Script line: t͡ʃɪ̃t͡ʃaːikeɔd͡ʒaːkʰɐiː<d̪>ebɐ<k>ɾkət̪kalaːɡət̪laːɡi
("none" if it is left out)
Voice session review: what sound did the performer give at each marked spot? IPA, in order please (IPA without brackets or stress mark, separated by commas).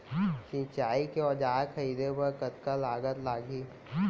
d̪, none